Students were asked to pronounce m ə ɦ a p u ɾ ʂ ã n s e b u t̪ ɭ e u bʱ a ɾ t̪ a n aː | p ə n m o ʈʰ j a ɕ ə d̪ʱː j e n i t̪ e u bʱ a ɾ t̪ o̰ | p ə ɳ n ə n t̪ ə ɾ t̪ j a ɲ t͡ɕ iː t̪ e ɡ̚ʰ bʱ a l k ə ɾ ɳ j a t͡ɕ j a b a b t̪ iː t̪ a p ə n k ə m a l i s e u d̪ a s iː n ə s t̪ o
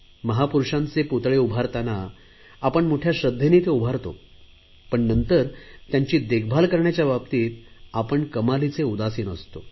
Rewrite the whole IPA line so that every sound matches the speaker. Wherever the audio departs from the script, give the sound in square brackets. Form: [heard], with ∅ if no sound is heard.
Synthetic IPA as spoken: m ə ɦ a p u ɾ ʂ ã n [t͡s] e [p] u t̪ ɭ e u bʱ a ɾ t̪ a n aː | p ə [ɳ] m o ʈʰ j a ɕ ə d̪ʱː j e n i t̪ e u bʱ a ɾ t̪ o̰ | p ə ɳ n ə n t̪ ə ɾ t̪ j a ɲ t͡ɕ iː [d̪] e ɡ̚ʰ bʱ a l k ə ɾ ɳ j a t͡ɕ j a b a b t̪ iː t̪ a p ə [ɳ] k ə m a l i [t͡s] e u d̪ a s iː n ə s t̪ o